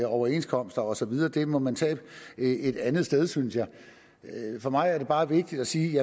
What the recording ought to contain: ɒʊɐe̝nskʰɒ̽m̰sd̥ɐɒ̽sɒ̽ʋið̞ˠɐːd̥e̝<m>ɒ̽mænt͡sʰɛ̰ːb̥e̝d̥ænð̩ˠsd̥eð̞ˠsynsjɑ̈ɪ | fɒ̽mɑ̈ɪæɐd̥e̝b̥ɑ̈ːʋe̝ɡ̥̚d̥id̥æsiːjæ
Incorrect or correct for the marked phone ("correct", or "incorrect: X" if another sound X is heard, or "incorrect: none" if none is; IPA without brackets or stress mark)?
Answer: correct